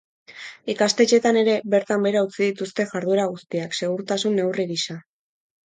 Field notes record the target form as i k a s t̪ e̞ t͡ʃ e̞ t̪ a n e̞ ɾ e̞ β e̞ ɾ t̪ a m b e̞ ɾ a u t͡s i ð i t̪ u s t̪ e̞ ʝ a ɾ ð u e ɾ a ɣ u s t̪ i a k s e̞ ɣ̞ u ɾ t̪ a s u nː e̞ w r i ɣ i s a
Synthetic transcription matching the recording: i k a s t̪ e̞ t͡ʃ e̞ t̪ a n e̞ ɾ e̞ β e̞ ɾ t̪ a m b e̞ ɾ a u t͡s i ð i t̪ u s t̪ e̞ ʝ a ɾ ð u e ɾ a ɣ u s t̪ i a k s e̞ ɣ̞ u ɾ t̪ a s u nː e̞ w r i ɣ i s a

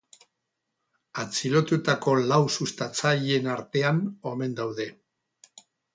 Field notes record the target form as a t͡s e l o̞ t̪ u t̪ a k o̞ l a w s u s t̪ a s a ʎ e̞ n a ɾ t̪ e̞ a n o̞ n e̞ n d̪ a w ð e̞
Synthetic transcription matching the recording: a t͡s i l o̞ t̪ u t̪ a k o̞ l a w s u s t̪ a t͡s a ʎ e̞ n a ɾ t̪ e̞ a n o̞ m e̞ n d̪ a w ð e̞

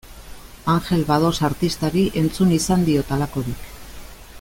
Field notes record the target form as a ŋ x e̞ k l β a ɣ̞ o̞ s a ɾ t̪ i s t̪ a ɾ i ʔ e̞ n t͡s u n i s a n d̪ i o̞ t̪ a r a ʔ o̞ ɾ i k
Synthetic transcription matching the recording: a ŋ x e̞ l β a ð̞ o̞ s a ɾ t̪ i s t̪ a ɾ i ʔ e̞ n t͡s u n i s a n d̪ i o̞ t̪ a l a k o̞ ɾ i k

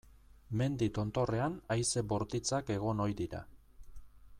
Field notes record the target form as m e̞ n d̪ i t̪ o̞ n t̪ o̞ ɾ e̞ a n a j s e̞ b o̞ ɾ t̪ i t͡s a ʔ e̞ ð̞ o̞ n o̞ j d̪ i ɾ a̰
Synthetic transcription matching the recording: m e̞ n d̪ i t̪ o̞ n t̪ o̞ r e̞ a n a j s e̞ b o̞ ɾ t̪ i t͡s a k e̞ ɣ̞ o̞ n o̞ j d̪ i ɾ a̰

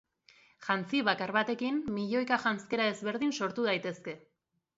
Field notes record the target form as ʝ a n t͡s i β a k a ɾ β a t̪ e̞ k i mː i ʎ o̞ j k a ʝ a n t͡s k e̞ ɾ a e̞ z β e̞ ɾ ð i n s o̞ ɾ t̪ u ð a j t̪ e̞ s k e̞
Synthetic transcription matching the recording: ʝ a n t͡s i β a k a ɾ β a t̪ e̞ k i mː i ʎ o̞ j k a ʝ a n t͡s k e̞ ɾ a e̞ z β e̞ ɾ ð i n s o̞ ɾ t̪ u ð a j t̪ e̞ s k e̞

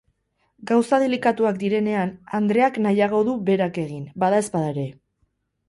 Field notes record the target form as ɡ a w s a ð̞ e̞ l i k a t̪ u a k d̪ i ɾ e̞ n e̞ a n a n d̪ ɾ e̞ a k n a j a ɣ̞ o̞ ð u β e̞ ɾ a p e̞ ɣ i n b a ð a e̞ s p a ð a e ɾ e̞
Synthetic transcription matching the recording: ɡ a w s a ð̞ e̞ l i k a t̪ u a k d̪ i ɾ e̞ n e̞ a n a n d̪ ɾ e̞ a k n a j a ɣ̞ o̞ ð u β e̞ ɾ a k e̞ ɣ i n b a ð a e̞ s p a ð a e ɾ e̞

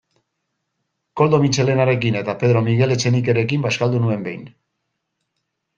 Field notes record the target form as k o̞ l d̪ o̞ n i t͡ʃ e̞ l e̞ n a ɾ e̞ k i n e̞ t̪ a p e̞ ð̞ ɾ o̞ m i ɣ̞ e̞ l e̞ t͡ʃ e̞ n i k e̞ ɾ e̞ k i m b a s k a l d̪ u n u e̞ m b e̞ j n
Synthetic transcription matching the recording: k o̞ l d̪ o̞ m i t͡ʃ e̞ l e̞ n a ɾ e̞ k i n e̞ t̪ a p e̞ ð̞ ɾ o̞ m i ɣ̞ e̞ l e̞ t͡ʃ e̞ n i k e̞ ɾ e̞ k i m b a s k a l d̪ u n u e̞ m b e̞ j n

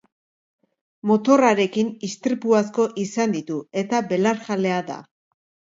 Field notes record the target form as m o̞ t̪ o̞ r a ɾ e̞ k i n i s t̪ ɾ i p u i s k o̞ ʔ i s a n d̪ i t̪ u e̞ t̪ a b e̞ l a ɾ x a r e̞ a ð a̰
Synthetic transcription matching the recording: m o̞ t̪ o̞ r a ɾ e̞ k i n i s t̪ ɾ i p u a s k o̞ ʔ i s a n d̪ i t̪ u e̞ t̪ a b e̞ l a ɾ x a l e̞ a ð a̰

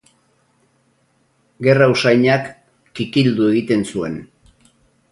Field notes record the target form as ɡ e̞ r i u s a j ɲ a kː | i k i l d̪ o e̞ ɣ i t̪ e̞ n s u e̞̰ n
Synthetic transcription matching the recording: ɡ e̞ r a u s a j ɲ a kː | i k i l d̪ u e̞ ɣ i t̪ e̞ n s u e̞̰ n

